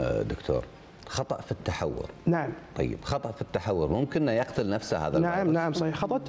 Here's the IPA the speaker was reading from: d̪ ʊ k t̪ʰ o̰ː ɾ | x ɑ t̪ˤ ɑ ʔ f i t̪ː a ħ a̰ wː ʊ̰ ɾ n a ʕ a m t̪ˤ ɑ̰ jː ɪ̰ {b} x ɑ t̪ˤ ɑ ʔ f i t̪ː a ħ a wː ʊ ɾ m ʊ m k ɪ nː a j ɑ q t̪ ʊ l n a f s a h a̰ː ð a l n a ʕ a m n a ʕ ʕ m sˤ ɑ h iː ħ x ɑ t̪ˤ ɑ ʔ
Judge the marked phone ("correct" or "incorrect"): correct